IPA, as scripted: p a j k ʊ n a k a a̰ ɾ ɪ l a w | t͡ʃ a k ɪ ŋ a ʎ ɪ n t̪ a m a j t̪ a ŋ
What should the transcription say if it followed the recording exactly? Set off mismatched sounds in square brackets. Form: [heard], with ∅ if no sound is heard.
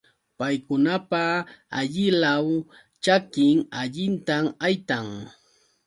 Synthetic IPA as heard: p a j k ʊ n a [p] a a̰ [ʎ] ɪ l a w | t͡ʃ a k ɪ ŋ a ʎ ɪ n t̪ a m a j t̪ a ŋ

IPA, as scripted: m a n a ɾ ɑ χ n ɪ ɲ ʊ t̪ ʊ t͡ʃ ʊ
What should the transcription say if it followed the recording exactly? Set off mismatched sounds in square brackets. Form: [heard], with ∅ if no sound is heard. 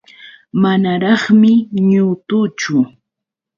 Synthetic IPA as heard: m a n a ɾ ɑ χ [m] ɪ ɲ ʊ t̪ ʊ t͡ʃ ʊ

